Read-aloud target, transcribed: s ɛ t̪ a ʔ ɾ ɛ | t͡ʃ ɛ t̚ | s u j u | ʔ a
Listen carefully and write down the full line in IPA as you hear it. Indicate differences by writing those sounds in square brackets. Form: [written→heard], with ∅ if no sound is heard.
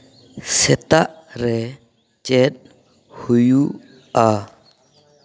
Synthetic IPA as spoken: s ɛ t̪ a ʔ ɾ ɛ | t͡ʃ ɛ t̚ | [s→h] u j u | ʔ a